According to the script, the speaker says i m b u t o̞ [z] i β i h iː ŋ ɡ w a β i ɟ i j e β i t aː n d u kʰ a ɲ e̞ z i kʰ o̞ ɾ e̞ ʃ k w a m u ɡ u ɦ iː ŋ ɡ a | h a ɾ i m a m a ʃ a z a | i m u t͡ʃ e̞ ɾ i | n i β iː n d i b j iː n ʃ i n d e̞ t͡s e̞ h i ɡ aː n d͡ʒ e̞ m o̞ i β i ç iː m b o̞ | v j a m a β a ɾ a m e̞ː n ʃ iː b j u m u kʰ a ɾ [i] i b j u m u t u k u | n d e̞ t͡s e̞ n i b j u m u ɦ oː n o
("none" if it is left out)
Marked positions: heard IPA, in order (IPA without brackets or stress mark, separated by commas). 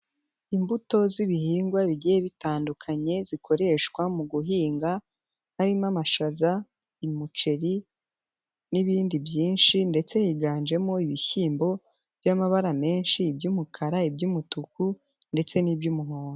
z, a